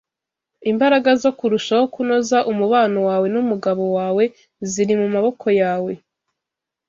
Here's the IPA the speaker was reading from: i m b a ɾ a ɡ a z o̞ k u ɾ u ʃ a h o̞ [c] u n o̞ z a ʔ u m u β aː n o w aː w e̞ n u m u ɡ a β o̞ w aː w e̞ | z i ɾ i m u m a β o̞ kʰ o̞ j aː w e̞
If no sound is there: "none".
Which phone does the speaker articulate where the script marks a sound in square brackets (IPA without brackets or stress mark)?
k